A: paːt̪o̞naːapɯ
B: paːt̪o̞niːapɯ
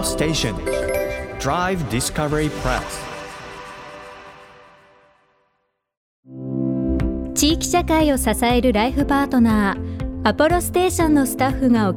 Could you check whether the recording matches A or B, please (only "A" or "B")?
A